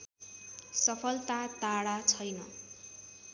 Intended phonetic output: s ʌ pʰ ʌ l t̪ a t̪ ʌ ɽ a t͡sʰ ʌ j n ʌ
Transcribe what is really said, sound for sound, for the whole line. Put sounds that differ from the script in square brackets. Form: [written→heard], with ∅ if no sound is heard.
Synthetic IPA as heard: s ʌ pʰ ʌ l t̪ a t̪ [ʌ→a] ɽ a t͡sʰ ʌ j n ʌ